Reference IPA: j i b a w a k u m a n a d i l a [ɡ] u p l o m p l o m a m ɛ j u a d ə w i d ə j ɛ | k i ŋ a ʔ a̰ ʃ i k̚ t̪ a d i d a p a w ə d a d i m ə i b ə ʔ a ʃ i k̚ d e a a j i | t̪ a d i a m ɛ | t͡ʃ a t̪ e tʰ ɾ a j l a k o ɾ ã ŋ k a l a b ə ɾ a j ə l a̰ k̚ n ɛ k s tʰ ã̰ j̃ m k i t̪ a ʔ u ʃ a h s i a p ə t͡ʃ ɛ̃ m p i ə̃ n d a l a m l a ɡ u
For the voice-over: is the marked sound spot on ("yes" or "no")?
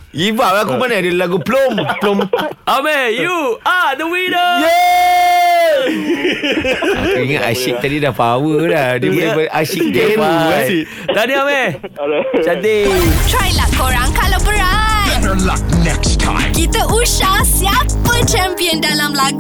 yes